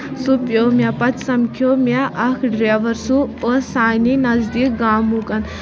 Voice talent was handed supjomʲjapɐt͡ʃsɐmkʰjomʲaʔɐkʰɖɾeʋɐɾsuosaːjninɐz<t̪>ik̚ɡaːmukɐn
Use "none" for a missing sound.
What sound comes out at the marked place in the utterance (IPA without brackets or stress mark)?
d̪